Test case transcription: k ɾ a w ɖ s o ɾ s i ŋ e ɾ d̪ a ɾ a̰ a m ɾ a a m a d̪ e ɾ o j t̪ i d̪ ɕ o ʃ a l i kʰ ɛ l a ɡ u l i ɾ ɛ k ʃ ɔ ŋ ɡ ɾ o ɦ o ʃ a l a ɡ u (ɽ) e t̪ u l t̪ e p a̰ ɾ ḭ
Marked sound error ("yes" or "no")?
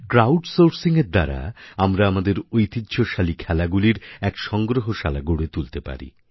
no